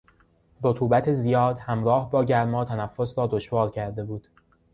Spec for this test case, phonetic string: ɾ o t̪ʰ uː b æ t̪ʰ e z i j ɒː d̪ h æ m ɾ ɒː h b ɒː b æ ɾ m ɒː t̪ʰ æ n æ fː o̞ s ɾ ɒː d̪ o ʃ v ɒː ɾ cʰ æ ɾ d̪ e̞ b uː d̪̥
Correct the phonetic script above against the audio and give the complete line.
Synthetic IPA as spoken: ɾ o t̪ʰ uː b æ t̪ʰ e z i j ɒː d̪ h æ m ɾ ɒː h b ɒː ɟ æ ɾ m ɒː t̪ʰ æ n æ fː o̞ s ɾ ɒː d̪ o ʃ v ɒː ɾ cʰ æ ɾ d̪ e̞ b uː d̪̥